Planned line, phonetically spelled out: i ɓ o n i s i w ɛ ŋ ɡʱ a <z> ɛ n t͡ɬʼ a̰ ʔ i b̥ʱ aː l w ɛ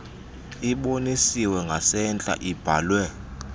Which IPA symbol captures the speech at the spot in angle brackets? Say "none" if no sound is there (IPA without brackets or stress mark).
s